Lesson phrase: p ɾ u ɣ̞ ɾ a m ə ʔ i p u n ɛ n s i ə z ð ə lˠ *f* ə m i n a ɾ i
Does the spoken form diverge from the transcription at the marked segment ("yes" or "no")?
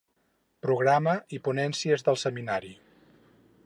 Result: yes